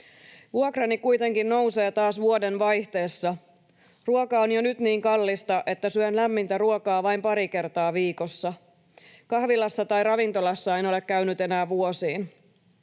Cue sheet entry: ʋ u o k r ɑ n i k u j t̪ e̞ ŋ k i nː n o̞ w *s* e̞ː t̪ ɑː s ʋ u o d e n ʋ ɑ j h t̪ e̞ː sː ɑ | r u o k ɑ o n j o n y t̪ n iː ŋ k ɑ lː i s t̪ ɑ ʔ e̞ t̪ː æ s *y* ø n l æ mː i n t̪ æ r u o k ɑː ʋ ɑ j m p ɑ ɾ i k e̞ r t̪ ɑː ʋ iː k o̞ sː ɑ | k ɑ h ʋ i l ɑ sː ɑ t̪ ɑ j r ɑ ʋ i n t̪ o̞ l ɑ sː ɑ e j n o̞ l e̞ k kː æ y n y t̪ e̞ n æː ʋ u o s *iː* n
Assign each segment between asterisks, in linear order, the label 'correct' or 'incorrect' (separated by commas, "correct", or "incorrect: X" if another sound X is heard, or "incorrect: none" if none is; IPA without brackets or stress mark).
correct, correct, correct